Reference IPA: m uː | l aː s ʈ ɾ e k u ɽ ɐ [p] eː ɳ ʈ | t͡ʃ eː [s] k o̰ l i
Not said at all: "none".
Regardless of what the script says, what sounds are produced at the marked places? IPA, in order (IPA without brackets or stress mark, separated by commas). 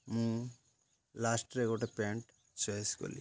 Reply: p, s